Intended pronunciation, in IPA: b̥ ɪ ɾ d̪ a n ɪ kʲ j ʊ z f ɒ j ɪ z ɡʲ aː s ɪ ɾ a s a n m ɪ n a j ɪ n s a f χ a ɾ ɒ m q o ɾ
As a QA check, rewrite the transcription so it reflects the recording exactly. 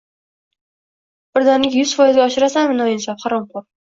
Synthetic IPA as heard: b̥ ɪ ɾ d̪ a n ɪ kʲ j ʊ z f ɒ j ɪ z ɡʲ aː ʃ ɪ ɾ a s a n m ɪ n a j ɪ n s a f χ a ɾ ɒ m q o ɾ